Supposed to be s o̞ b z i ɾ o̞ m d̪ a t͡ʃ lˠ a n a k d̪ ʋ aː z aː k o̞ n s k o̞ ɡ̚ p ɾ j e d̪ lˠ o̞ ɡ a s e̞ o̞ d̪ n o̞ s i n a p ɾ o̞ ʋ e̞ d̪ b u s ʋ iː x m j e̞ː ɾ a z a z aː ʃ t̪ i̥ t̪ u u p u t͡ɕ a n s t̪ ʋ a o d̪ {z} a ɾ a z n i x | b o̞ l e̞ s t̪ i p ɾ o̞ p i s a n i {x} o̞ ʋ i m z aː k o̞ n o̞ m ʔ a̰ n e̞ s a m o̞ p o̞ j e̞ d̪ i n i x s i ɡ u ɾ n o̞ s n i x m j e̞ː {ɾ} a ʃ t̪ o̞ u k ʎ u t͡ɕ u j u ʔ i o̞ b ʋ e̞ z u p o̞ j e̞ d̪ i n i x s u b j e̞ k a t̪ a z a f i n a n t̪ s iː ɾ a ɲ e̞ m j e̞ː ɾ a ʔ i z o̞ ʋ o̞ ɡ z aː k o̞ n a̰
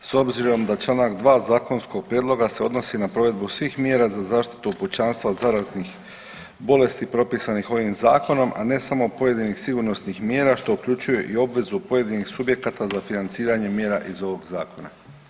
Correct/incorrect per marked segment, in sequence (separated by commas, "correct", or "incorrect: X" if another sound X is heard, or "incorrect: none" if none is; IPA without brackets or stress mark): correct, correct, correct